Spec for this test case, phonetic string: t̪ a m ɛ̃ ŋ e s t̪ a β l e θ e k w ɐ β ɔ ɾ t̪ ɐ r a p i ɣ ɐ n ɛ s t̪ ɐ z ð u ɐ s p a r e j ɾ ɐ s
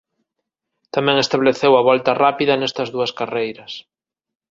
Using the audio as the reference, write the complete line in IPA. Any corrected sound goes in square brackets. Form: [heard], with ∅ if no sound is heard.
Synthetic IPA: t̪ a m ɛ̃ ŋ e s t̪ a β l e θ e [∅] w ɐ β ɔ [l] t̪ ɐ r a p i [ð] ɐ n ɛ s t̪ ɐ z ð u ɐ s [k] a r e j ɾ ɐ s